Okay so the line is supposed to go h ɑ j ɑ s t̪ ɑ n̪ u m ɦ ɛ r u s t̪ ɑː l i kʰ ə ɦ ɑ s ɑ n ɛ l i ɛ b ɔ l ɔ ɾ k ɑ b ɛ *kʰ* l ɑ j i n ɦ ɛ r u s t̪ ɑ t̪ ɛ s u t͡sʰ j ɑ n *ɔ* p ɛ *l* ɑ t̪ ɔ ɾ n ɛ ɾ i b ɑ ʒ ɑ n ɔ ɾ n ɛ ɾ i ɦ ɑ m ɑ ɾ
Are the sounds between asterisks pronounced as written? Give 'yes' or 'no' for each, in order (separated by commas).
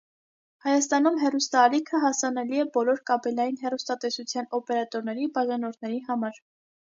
no, yes, no